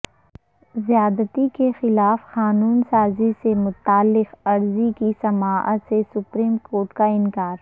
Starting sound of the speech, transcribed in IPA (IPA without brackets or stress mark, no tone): z